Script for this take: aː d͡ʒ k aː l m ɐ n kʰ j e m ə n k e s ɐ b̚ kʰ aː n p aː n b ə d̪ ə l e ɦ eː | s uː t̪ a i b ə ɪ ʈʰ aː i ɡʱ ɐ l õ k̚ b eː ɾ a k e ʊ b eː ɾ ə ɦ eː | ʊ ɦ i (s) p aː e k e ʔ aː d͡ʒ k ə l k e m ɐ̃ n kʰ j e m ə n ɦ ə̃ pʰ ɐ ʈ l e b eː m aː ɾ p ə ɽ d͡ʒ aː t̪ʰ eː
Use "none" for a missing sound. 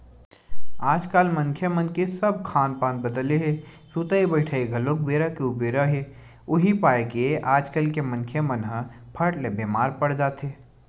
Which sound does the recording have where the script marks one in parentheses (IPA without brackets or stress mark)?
none